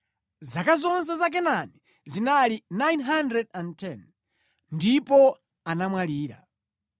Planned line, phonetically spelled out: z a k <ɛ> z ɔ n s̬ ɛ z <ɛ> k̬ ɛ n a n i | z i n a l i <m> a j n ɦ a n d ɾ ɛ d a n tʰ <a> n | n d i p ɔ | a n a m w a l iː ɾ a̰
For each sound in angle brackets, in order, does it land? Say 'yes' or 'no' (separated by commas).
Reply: no, no, no, no